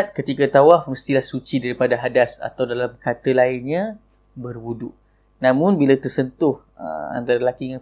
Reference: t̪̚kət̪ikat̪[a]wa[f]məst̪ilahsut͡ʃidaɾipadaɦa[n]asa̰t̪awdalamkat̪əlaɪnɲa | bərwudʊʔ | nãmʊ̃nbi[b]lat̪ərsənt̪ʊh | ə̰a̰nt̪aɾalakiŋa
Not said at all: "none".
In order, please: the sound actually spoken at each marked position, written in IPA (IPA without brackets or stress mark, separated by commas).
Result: a, f, d, none